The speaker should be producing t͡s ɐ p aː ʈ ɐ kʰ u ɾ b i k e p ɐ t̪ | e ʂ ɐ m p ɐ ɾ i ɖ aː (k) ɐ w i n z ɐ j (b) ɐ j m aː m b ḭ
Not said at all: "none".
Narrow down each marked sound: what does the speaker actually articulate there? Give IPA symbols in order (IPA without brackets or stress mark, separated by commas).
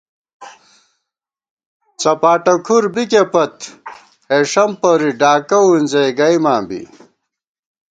k, ɡ